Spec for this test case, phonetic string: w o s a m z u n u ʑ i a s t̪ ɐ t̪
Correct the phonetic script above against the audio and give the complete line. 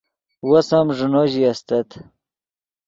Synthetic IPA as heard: w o s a m ʐ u n o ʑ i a s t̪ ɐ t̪